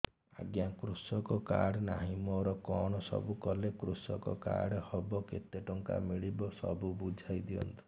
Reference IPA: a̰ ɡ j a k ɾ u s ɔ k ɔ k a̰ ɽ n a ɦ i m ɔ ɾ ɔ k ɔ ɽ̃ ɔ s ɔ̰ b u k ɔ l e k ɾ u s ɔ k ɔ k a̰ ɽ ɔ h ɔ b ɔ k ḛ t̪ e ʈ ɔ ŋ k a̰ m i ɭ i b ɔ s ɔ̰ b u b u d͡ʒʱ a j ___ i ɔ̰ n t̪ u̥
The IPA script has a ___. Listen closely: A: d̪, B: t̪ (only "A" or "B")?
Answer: A